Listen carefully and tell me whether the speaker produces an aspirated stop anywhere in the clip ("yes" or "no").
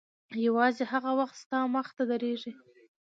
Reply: no